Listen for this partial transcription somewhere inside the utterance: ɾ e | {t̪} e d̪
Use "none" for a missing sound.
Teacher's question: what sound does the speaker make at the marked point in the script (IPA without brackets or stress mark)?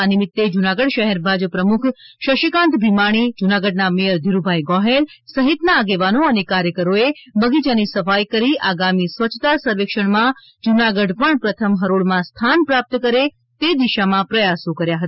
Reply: t̪